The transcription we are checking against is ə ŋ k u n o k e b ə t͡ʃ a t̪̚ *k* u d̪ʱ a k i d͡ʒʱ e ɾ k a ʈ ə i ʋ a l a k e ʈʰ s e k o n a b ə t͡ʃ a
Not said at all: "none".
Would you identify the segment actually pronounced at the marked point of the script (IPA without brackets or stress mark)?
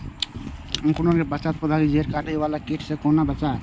p